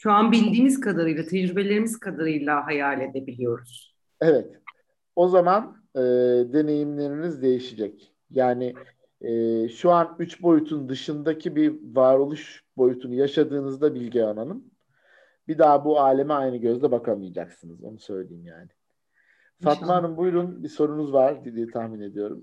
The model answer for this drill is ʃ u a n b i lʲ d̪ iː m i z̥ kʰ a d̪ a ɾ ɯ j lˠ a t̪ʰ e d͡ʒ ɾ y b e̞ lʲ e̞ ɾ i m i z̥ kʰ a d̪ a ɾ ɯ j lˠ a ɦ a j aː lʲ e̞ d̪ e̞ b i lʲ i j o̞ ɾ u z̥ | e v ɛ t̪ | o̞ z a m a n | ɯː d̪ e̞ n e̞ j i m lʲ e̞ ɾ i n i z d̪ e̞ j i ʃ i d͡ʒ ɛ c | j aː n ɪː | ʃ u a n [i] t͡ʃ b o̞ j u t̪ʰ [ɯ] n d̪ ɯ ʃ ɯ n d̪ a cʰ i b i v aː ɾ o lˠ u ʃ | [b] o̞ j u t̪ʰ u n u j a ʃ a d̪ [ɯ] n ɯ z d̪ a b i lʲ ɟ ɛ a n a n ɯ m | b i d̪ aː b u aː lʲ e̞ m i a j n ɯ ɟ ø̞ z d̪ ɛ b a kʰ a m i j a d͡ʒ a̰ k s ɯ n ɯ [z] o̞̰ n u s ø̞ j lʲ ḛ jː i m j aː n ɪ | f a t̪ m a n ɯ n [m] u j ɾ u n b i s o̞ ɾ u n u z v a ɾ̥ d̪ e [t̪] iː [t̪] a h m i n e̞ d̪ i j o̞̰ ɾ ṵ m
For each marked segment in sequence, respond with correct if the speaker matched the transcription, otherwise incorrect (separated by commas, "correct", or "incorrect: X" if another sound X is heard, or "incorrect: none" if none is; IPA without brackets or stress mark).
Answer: incorrect: y, incorrect: u, correct, incorrect: ɯː, correct, incorrect: b, incorrect: d̪, incorrect: t̪ʰ